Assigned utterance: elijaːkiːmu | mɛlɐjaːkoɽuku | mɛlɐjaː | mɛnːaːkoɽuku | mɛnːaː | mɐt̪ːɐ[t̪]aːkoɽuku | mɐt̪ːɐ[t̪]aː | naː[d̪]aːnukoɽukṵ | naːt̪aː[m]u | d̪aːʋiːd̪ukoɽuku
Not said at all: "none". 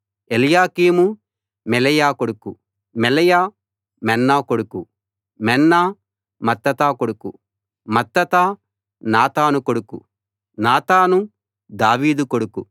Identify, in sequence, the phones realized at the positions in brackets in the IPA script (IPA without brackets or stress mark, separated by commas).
t̪, t̪, t̪, n